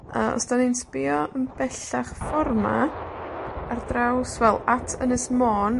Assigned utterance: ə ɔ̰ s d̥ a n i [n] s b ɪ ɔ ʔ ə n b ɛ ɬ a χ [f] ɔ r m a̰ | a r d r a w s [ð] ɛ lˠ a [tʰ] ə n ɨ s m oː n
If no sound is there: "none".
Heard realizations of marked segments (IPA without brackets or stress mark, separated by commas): n, f, v, tʰ